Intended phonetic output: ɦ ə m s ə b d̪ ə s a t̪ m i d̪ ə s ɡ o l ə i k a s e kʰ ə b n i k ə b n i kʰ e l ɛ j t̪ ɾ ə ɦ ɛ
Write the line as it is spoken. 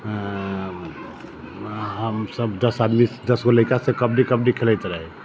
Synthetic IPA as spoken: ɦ ə m s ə b d̪ ə s a d̪ m i d̪ ə s ɡ o l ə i k a s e k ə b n i k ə b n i kʰ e l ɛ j t̪ ɾ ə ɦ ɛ